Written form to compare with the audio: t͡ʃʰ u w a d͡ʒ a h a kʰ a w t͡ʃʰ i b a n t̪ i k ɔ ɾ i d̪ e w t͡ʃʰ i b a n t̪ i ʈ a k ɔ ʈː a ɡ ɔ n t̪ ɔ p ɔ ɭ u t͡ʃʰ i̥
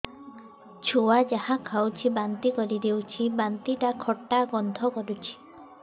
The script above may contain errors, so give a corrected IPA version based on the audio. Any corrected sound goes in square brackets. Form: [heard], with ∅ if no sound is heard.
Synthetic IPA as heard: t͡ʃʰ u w a d͡ʒ a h a kʰ a w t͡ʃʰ i b a n t̪ i k ɔ ɾ i d̪ e w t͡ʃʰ i b a n t̪ i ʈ a [kʰ] ɔ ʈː a ɡ ɔ n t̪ ɔ [k] ɔ [ɾ] u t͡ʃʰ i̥